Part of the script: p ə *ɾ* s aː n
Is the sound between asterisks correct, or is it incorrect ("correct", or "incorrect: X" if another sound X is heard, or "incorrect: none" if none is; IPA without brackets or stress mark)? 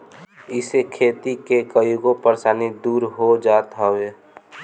correct